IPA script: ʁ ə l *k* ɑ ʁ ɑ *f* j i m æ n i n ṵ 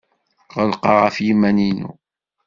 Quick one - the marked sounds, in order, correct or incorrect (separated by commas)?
incorrect, correct